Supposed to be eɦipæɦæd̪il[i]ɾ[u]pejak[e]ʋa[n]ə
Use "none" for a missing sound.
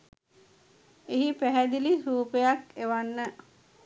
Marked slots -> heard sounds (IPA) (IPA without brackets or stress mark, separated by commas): i, uː, e, nː